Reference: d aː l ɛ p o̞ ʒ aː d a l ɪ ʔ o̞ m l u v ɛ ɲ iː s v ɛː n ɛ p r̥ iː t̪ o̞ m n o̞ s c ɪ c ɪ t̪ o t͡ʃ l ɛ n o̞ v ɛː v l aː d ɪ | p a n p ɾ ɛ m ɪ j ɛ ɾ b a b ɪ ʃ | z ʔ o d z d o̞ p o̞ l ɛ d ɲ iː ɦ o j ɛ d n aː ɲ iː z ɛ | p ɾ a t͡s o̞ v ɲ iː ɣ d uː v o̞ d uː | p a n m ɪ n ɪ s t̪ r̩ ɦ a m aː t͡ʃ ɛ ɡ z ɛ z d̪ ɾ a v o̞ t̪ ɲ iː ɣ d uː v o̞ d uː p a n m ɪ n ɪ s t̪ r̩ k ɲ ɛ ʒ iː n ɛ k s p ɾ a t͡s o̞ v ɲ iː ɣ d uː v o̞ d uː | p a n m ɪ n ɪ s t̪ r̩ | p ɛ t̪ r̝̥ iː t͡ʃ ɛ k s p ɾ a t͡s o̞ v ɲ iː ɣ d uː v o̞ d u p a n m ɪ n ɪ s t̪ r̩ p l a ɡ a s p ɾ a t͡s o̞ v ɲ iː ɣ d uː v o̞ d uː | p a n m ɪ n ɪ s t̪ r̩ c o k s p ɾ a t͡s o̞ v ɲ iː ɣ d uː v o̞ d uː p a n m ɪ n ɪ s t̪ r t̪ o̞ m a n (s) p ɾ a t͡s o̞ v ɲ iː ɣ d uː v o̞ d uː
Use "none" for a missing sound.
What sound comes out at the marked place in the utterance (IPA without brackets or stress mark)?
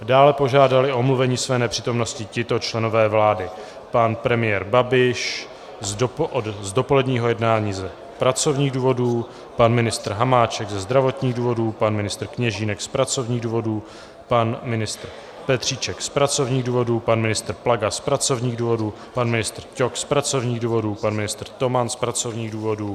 s